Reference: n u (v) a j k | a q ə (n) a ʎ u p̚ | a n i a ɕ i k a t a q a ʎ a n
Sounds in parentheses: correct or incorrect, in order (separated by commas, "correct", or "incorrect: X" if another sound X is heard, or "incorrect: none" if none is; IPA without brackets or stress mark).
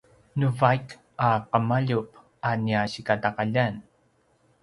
correct, incorrect: m